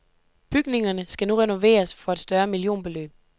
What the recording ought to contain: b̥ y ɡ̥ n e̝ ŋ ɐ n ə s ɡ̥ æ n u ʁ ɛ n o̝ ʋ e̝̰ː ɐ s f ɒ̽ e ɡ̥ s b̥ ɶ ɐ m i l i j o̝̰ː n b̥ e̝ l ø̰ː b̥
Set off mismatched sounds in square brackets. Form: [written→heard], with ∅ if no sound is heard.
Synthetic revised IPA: b̥ y ɡ̥ n e̝ ŋ ɐ n ə s ɡ̥ æ n u ʁ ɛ n o̝ ʋ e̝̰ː ɐ s f ɒ̽ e [ɡ̥→d̥] s [b̥→d̥] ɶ ɐ m i l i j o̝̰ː n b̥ e̝ l ø̰ː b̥